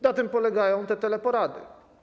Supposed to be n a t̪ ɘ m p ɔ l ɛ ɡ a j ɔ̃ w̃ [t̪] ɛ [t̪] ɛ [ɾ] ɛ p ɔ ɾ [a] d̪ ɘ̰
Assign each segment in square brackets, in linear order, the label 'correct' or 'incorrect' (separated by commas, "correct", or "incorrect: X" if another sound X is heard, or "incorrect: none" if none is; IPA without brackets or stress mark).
correct, correct, incorrect: l, correct